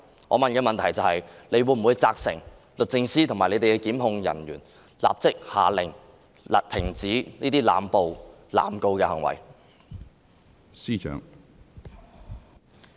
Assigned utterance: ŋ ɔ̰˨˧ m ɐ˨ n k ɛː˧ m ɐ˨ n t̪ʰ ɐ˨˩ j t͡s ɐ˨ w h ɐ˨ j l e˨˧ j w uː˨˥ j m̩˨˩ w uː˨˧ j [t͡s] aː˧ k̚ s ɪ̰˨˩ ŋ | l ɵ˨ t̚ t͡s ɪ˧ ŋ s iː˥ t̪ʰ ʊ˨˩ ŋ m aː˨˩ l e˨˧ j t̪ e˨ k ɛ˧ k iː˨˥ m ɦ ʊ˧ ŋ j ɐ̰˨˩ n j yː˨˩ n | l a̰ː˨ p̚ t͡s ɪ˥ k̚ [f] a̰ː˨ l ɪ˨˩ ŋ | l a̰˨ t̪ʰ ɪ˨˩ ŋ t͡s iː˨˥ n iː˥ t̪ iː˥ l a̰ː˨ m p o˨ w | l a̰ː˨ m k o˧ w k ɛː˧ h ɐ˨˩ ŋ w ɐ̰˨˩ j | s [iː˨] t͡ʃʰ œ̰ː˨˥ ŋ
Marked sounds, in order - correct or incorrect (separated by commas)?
correct, incorrect, incorrect